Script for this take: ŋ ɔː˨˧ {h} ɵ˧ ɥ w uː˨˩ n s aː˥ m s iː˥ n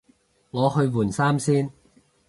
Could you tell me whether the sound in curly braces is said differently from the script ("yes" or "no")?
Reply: no